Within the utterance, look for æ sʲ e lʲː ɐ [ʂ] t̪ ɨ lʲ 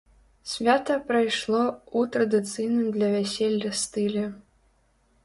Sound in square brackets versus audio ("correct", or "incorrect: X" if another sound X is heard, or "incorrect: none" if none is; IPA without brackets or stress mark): incorrect: s